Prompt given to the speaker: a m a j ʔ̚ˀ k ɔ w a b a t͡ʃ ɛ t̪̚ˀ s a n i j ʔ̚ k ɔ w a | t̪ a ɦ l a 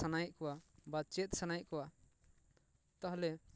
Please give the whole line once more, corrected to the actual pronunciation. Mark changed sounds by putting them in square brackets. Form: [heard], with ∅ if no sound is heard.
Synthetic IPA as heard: a [n] a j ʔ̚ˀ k ɔ w a b a t͡ʃ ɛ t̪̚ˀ s a n [a] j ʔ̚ k ɔ w a | t̪ a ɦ l [ɛ]